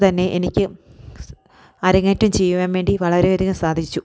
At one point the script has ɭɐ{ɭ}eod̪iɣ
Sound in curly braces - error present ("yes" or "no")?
yes